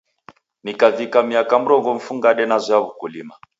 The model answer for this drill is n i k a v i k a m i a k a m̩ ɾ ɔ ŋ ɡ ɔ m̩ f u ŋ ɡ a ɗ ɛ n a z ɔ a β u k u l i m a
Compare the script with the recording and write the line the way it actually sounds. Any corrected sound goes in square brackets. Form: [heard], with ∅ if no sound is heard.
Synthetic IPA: n i k a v i k a m i a k a m̩ ɾ ɔ ŋ ɡ ɔ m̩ f u ŋ ɡ a ɗ ɛ n a z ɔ a β u k u l i m a